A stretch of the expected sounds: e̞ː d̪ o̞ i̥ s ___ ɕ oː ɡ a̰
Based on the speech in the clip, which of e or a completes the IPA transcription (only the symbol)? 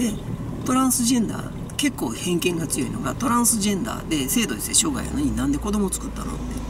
e